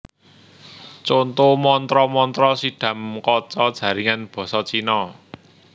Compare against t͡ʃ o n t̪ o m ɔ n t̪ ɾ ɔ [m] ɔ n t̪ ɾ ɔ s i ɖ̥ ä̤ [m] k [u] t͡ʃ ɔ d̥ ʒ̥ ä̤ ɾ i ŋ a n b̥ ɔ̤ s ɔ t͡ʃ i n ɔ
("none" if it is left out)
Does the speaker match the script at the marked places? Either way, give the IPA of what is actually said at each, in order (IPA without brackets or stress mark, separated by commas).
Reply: m, m, ɔ